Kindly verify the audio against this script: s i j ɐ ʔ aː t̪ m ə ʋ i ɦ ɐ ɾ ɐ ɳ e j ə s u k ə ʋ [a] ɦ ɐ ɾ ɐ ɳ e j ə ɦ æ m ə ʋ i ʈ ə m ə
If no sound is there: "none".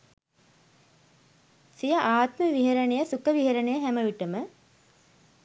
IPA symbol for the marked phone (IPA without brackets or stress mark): i